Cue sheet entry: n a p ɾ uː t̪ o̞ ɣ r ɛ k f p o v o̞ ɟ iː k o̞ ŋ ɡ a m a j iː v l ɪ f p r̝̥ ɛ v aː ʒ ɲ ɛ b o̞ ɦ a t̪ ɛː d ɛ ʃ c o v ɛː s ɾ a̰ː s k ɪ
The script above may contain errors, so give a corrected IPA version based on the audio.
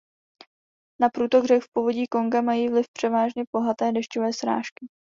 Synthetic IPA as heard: n a p ɾ uː t̪ o̞ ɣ r ɛ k f p o v o̞ ɟ iː k o̞ ŋ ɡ a m a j iː v l ɪ f p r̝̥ ɛ v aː ʒ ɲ ɛ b o̞ ɦ a t̪ ɛː d ɛ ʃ c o v ɛː s ɾ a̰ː ʃ k ɪ

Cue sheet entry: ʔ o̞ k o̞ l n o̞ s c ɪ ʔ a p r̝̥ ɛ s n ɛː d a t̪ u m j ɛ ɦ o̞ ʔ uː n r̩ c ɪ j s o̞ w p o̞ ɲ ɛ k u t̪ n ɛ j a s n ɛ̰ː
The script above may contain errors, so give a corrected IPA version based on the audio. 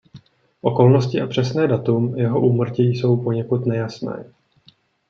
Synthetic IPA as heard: ʔ o̞ k o̞ l n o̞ s c ɪ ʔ a p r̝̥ ɛ s n ɛː d a t̪ u m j ɛ ɦ o̞ ʔ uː m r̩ c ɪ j s o̞ w p o̞ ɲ ɛ k u t̪ n ɛ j a s n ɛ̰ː

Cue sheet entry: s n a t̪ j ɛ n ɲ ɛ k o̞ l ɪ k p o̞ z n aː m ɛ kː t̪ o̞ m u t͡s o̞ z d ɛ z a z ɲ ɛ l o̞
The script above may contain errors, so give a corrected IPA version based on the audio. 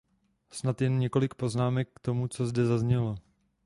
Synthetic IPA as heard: s n a t̪ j ɛ n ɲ ɛ k o̞ l ɪ k p o̞ z n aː m ɛ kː t̪ o̞ m u t͡s o̞ z d ɛ z a z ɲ ɛ l o̞

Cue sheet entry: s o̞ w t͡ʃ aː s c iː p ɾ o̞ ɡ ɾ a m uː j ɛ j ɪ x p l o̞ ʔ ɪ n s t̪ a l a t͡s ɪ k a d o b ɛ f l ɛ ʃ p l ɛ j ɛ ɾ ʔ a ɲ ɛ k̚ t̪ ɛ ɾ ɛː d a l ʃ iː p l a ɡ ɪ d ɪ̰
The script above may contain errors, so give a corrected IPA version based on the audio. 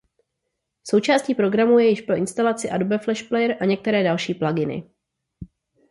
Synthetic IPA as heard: s o̞ w t͡ʃ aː s c iː p ɾ o̞ ɡ ɾ a m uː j ɛ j ɪ ʃ p ɾ o̞ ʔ ɪ n s t̪ a l a t͡s ɪ ʔ a d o b ɛ f l ɛ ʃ p l ɛ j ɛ ɾ ʔ a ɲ ɛ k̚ t̪ ɛ ɾ ɛː d a l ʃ iː p l a ɡ ɪ n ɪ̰

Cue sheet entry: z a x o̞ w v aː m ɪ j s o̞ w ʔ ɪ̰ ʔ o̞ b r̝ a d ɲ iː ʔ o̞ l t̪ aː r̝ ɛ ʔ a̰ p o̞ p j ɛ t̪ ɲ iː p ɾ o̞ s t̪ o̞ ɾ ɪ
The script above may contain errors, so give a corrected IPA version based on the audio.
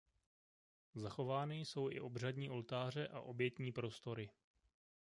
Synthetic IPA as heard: z a x o̞ v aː n ɪ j s o̞ w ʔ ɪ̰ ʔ o̞ b r̝ a d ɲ iː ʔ o̞ l t̪ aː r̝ ɛ ʔ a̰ ʔ o̞ b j ɛ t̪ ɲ iː p ɾ o̞ s t̪ o̞ ɾ ɪ

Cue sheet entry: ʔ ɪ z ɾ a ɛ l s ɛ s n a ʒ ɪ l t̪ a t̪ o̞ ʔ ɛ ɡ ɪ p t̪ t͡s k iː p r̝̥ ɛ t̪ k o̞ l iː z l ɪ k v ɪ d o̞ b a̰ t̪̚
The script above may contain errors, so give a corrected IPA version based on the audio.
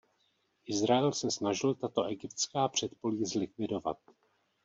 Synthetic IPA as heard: ʔ ɪ z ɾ a ɛ l s ɛ s n a ʒ ɪ l t̪ a t̪ o̞ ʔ ɛ ɡ ɪ p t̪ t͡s k aː p r̝̥ ɛ t̪ p o̞ l iː z l ɪ k v ɪ d o̞ v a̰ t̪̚

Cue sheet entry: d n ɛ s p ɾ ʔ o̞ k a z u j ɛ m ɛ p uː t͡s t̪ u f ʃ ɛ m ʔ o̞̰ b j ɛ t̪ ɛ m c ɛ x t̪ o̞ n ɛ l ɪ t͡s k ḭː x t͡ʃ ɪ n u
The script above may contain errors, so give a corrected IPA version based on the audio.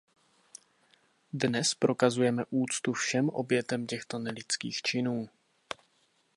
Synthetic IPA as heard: d n ɛ s p ɾ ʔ o̞ k a z u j ɛ m ɛ ʔ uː t͡s t̪ u f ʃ ɛ m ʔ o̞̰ b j ɛ t̪ ɛ m c ɛ x t̪ o̞ n ɛ l ɪ t͡s k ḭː x t͡ʃ ɪ n uː

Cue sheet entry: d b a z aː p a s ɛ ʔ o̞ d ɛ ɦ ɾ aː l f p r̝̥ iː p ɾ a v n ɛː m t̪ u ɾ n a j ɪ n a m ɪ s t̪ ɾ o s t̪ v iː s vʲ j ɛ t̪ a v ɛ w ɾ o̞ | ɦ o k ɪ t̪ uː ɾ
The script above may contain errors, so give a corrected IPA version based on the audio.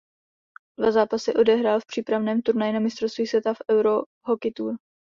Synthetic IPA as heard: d v a z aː p a s ɛ ʔ o̞ d ɛ ɦ ɾ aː l f p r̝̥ iː p ɾ a v n ɛː m t̪ u ɾ n a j ɪ n a m ɪ s t̪ ɾ o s t̪ v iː s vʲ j ɛ t̪ a f ɛ w ɾ o̞ | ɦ o k ɪ t̪ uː ɾ

